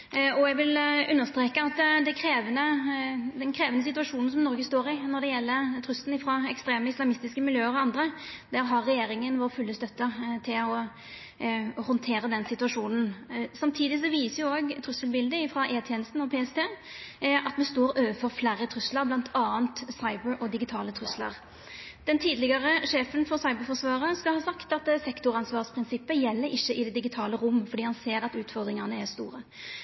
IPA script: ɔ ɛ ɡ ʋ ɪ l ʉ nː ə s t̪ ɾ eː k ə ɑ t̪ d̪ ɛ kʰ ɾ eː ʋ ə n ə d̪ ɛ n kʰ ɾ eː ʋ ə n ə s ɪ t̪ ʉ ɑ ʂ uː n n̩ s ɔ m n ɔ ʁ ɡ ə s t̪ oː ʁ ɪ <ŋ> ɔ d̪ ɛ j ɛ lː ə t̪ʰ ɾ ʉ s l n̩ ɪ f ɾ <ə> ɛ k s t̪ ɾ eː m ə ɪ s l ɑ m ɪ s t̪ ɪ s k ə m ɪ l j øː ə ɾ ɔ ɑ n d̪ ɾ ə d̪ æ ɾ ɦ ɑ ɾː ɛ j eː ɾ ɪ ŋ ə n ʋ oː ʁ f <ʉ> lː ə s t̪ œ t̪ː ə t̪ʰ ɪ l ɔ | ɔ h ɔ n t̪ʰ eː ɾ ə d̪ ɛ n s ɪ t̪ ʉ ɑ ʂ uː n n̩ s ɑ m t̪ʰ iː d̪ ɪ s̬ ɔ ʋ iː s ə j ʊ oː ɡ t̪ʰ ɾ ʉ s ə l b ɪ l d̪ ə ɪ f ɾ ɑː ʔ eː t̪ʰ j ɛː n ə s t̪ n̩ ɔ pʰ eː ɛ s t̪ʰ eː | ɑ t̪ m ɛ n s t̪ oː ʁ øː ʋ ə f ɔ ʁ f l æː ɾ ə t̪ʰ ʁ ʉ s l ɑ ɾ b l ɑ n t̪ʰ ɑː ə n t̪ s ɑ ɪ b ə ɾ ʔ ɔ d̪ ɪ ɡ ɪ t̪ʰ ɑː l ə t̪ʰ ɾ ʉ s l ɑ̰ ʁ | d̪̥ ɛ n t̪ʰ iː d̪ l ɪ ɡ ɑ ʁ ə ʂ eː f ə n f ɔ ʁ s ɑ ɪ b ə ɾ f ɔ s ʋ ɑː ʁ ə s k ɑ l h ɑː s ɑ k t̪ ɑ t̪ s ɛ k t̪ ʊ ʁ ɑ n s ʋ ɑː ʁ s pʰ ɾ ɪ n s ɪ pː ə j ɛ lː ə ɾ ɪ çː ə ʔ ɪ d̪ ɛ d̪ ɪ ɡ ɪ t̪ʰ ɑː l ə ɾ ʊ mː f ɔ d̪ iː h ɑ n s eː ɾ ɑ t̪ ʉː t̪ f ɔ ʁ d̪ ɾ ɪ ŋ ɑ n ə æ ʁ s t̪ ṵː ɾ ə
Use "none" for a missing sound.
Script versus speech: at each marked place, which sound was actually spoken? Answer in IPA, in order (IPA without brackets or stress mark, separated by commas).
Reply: n, ɑ, ʉ